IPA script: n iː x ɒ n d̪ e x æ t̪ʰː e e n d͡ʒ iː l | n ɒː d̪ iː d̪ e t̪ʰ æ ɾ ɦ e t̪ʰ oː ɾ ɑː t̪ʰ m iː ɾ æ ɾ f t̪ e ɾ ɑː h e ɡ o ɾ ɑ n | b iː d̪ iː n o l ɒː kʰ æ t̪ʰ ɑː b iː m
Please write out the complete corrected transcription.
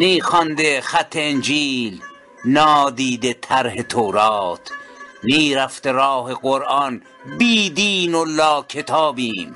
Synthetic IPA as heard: n iː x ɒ n d̪ e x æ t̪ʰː e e n d͡ʒ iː l | n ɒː d̪ iː d̪ e t̪ʰ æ ɾ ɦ e t̪ʰ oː ɾ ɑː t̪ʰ n iː ɾ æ f t̪ e ɾ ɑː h e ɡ o ɾ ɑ n | b iː d̪ iː n o l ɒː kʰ e t̪ʰ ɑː b iː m